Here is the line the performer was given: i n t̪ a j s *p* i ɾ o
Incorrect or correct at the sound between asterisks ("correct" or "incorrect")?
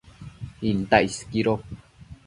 incorrect